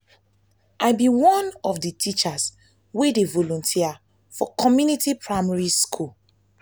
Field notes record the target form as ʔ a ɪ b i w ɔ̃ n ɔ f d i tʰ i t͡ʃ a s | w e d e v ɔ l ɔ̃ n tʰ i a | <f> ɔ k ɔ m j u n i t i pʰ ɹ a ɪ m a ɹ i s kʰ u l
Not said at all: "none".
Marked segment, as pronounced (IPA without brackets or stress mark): f